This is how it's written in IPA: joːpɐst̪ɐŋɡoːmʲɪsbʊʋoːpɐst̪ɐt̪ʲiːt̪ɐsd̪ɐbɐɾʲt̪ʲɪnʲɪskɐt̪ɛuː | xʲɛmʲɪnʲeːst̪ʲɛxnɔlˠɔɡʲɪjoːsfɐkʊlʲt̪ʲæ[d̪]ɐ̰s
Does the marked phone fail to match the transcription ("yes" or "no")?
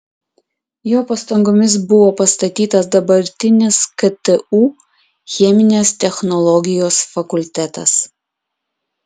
yes